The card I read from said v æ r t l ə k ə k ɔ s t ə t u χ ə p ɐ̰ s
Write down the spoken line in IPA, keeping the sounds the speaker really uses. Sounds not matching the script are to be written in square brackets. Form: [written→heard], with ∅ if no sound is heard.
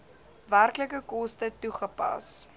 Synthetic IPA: v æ r [t→k] l ə k ə k ɔ s t ə t u χ ə p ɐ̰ s